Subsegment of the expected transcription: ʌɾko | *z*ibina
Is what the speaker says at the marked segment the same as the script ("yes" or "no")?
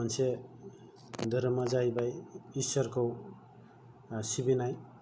no